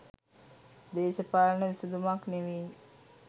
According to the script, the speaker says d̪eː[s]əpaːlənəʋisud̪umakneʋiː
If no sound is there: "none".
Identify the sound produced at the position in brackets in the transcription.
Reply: ʃ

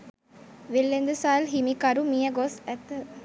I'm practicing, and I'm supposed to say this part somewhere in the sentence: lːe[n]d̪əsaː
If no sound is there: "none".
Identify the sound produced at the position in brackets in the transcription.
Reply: n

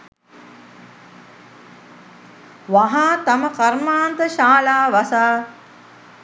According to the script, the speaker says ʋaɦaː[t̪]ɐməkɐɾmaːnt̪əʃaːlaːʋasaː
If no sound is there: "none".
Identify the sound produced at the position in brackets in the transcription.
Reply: t̪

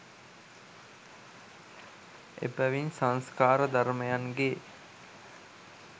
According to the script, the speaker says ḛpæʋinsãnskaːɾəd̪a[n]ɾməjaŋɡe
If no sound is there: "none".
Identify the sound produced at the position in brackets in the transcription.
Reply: none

